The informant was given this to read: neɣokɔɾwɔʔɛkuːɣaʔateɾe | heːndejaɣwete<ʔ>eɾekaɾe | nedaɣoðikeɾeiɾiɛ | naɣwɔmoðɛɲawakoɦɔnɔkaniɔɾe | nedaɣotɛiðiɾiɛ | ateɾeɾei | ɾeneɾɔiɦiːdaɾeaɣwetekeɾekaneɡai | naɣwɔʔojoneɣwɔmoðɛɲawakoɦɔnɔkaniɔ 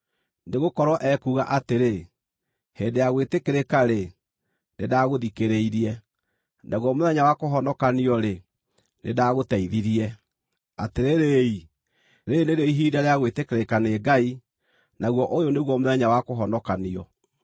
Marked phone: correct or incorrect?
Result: incorrect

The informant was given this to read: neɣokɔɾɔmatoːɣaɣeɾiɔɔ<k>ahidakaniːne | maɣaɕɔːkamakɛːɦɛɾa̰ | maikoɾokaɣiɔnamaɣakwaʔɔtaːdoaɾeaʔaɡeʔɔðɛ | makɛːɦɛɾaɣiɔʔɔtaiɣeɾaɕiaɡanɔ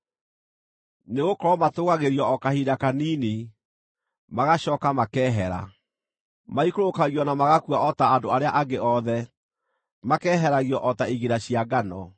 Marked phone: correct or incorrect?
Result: correct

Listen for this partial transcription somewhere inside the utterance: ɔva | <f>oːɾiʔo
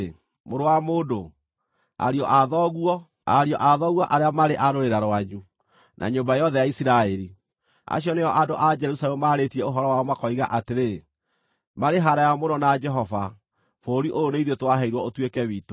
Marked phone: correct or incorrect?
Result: correct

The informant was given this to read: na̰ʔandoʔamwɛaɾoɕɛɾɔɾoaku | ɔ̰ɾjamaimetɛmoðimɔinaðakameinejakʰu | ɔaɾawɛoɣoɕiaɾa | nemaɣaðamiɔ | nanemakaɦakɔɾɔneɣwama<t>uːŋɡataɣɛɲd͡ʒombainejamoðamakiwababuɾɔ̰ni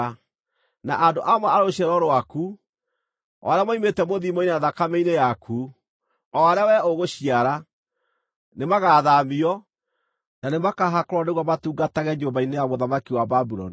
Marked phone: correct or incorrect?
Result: correct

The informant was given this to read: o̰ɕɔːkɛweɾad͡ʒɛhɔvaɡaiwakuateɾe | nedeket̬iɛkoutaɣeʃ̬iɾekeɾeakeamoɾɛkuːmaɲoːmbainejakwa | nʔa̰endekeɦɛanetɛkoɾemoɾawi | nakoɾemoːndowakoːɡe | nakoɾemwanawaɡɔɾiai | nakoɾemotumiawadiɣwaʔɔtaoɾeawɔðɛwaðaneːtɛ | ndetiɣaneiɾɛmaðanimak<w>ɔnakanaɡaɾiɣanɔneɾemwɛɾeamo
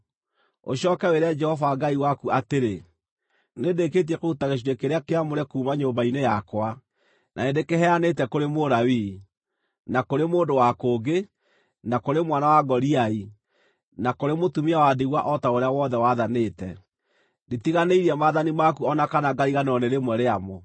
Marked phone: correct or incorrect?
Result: incorrect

